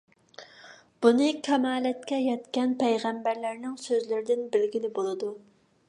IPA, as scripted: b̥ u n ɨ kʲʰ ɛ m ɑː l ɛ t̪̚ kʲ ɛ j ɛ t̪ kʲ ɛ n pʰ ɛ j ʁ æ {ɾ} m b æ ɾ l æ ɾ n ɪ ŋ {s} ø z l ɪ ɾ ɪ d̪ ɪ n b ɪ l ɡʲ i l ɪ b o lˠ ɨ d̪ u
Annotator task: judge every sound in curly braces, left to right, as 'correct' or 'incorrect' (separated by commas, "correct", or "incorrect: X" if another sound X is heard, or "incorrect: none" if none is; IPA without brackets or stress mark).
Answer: incorrect: none, correct